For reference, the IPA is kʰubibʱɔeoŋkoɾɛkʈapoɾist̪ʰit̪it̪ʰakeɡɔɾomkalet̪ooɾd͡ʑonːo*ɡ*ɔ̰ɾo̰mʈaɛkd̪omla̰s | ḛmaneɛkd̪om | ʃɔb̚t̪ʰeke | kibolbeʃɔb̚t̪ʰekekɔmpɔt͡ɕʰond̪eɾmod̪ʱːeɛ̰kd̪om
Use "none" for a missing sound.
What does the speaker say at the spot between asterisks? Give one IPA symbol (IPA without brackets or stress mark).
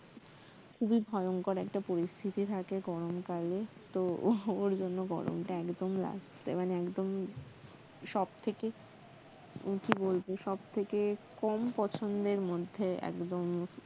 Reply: ɡ